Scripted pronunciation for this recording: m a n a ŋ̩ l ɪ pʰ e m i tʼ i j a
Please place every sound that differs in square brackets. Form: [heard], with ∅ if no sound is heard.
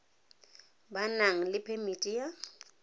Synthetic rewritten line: [b] a n a ŋ̩ l ɪ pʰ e m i tʼ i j a